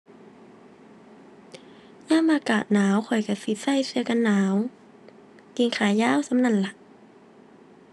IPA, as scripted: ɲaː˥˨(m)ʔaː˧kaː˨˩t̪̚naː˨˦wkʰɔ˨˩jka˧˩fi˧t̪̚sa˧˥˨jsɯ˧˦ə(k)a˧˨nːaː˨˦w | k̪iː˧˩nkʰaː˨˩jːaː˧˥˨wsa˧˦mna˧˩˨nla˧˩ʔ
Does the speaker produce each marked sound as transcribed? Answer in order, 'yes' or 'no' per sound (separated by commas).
yes, yes